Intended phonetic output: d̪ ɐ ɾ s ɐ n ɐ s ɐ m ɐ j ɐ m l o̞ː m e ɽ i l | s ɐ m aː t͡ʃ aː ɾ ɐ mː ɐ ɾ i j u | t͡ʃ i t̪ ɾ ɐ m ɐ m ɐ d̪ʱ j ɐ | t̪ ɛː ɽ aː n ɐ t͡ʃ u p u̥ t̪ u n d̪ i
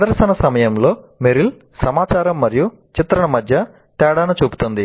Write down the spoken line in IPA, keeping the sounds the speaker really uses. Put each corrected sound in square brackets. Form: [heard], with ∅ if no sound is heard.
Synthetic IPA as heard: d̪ ɐ ɾ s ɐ n ɐ s ɐ m ɐ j ɐ m l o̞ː m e [ɾ] i l | s ɐ m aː t͡ʃ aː ɾ ɐ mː ɐ ɾ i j u | t͡ʃ i t̪ ɾ ɐ [ɳ] ɐ m ɐ d̪ʱ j ɐ | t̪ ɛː ɽ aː n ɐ t͡ʃ [uː] p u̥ t̪ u n d̪ i